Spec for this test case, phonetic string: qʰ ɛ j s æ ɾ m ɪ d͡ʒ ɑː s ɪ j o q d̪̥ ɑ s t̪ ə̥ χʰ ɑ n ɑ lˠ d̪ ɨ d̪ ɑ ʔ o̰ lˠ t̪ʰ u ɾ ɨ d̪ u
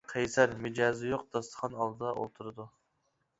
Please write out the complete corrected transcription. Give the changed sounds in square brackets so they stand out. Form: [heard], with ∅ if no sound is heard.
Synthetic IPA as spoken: qʰ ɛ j s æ ɾ m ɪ d͡ʒ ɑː [z] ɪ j o q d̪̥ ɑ s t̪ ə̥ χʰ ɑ n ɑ lˠ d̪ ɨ d̪ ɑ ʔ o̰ lˠ t̪ʰ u ɾ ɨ d̪ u